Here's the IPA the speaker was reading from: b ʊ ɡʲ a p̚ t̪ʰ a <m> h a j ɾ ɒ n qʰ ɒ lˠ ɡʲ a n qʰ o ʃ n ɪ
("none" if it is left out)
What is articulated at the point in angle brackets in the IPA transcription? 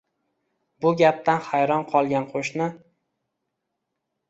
n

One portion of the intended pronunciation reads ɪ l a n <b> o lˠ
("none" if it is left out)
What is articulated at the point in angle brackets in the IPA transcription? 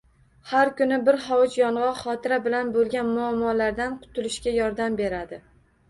b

